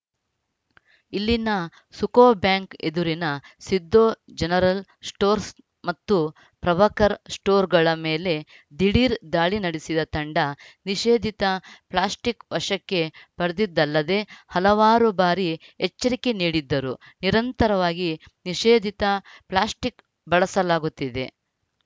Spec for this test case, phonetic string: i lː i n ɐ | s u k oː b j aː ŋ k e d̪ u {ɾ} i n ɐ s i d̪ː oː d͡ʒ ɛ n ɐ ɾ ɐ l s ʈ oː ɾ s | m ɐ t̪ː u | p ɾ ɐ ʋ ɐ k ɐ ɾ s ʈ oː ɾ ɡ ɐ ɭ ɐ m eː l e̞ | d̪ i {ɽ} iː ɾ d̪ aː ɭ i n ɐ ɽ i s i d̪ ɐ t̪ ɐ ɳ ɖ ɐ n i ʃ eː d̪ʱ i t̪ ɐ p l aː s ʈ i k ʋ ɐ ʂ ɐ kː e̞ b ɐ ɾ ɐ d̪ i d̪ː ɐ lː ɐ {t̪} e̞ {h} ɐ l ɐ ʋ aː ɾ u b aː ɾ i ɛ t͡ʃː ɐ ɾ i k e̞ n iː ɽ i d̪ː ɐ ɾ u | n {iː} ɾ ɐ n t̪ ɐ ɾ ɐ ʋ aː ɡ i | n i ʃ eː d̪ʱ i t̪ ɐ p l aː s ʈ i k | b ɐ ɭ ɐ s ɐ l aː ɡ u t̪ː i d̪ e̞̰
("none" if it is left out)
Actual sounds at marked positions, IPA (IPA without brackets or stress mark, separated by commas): ɾ, ɽ, d̪, h, i